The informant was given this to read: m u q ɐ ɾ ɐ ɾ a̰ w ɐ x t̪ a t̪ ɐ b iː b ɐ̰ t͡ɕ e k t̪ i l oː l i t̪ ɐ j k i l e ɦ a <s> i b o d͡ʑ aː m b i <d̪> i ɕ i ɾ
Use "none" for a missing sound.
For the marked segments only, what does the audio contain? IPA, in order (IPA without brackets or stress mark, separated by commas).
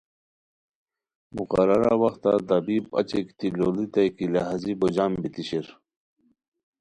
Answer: z, t̪